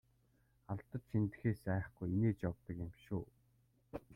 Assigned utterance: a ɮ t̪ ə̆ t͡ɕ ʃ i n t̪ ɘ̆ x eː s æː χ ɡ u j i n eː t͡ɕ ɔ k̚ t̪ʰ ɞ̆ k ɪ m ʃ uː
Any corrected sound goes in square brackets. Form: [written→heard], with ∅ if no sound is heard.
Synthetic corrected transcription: a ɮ t̪ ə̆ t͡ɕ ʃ i n t̪ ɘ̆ x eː s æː χ ɡ u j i n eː t͡ɕ ɔ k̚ [t̪ʰ→t̪] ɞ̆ k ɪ m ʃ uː

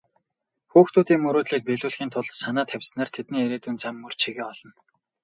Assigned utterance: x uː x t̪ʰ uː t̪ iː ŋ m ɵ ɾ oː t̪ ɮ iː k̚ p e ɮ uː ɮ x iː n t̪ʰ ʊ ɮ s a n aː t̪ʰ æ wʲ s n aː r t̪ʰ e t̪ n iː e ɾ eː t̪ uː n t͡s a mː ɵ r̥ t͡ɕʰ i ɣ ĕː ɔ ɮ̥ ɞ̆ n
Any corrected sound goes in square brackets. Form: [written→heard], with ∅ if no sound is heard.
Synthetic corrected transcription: x uː x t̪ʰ uː t̪ iː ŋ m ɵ ɾ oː t̪ ɮ iː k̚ p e ɮ uː ɮ x iː n t̪ʰ ʊ ɮ s a n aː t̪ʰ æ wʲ s n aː r t̪ʰ e t̪ n iː e ɾ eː t̪ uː n t͡s a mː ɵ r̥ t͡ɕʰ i ɣ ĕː ɔ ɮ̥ ɞ̆ n

